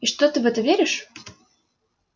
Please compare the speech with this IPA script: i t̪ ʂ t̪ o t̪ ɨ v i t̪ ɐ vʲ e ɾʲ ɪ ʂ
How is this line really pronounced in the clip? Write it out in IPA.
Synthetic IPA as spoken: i ʂ t̪ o t̪ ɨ v ɛ t̪ ə vʲ e ɾʲ ɪ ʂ